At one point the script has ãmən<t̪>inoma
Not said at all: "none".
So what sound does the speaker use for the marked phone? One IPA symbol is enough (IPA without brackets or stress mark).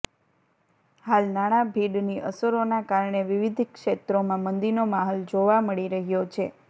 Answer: d̪